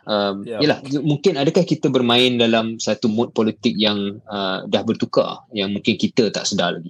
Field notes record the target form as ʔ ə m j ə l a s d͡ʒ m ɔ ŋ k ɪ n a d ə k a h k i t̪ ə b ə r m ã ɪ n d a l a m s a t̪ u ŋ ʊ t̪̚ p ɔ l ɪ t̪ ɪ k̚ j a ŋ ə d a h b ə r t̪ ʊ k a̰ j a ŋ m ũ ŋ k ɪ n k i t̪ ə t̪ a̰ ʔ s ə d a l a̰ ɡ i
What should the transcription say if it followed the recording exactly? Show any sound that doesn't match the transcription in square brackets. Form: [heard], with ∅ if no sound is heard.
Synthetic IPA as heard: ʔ ə m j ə l a [h] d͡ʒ m [u] ŋ k ɪ n a d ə k a h k i t̪ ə b ə r m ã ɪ n d a l a m s a t̪ u [m] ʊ t̪̚ p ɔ l [i] t̪ ɪ k̚ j a ŋ ə d a h b ə r t̪ [u] k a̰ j a ŋ m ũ ŋ k ɪ n k i t̪ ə t̪ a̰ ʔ s ə d a l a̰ ɡ i